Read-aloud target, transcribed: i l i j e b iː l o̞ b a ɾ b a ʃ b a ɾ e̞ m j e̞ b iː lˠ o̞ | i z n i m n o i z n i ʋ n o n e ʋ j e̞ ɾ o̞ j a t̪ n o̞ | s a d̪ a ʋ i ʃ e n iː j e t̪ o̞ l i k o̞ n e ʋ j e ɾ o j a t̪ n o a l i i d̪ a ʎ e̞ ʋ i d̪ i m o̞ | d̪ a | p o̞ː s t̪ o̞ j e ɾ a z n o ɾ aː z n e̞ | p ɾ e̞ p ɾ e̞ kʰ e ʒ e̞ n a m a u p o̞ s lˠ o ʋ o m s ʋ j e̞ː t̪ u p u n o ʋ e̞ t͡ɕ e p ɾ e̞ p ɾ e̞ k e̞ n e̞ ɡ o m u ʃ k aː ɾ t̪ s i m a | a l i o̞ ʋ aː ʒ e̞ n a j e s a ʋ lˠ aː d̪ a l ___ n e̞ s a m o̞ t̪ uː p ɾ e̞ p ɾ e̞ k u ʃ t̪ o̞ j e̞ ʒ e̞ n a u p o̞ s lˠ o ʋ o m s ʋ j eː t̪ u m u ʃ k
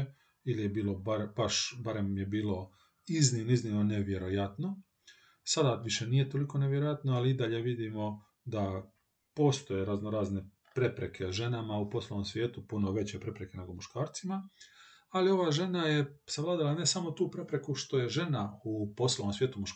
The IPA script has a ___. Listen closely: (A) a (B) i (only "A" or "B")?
A